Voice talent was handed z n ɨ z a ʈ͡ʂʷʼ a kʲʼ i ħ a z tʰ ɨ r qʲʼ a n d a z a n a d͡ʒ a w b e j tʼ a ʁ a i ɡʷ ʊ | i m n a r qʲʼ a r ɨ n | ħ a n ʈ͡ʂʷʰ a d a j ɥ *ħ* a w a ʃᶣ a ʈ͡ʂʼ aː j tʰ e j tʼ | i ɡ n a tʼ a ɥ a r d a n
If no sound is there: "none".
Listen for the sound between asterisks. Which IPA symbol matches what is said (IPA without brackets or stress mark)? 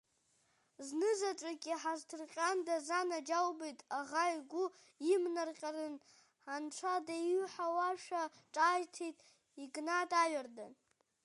ħ